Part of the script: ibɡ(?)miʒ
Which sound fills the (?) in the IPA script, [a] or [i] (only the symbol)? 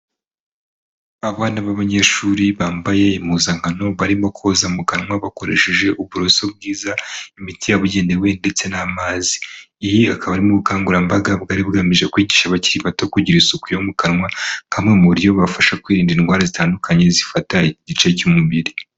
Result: a